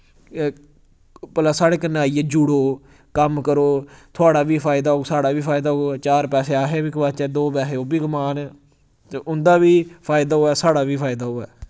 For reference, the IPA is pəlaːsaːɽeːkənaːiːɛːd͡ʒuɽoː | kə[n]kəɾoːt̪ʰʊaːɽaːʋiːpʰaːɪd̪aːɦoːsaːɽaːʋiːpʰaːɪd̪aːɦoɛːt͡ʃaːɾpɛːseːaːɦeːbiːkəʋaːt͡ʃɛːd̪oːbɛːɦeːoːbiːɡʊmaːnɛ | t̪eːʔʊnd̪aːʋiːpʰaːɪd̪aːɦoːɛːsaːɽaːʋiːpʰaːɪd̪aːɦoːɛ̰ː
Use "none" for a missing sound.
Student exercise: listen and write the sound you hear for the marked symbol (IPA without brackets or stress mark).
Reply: m